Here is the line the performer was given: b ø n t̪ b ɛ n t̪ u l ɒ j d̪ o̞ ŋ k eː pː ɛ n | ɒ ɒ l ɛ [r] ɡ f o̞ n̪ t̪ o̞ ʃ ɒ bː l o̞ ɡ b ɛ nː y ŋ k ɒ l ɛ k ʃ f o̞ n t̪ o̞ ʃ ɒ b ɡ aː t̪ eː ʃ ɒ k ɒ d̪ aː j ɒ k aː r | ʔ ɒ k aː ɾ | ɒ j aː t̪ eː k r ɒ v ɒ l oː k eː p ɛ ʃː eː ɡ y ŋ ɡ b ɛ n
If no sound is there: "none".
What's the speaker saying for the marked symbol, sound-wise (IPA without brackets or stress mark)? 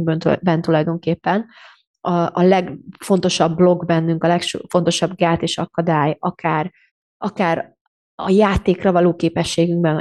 none